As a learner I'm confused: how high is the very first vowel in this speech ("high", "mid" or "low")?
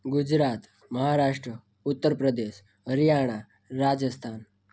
high